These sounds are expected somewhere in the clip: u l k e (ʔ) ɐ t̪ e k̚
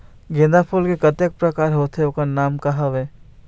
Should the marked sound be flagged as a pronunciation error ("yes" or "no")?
yes